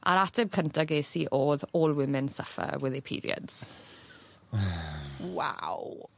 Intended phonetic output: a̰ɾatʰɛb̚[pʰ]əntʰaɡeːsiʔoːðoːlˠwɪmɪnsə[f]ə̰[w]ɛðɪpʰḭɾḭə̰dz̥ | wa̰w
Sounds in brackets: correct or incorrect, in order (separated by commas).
incorrect, correct, correct